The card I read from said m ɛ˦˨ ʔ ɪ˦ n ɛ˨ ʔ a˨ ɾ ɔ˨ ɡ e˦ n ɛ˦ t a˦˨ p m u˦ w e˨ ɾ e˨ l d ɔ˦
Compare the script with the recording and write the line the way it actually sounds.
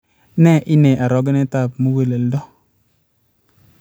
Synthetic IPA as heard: n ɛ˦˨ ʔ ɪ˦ n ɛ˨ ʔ a˨ ɾ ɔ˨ ɡ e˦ n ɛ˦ t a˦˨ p m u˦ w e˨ l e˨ l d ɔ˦